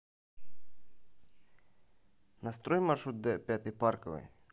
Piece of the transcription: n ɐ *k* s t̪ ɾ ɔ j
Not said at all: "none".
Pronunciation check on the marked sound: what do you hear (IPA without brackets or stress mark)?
none